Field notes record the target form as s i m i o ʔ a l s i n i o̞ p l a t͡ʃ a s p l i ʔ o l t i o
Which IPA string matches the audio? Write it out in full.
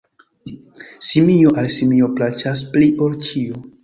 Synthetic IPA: s i m i o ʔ a l s i m i o̞ p l a t͡ʃ a s p l i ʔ o l t͡ʃ i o